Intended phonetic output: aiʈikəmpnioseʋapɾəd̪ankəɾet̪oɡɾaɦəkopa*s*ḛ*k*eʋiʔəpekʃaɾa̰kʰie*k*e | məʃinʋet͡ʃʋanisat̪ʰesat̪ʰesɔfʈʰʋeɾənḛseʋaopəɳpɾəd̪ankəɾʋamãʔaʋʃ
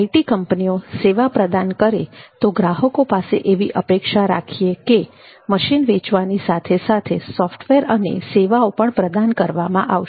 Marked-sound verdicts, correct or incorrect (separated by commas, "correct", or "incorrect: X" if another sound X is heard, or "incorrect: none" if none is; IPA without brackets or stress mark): correct, incorrect: ʔ, correct